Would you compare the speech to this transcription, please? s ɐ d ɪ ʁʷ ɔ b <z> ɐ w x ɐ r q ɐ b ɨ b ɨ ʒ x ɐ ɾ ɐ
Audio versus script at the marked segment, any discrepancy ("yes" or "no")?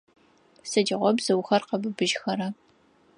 no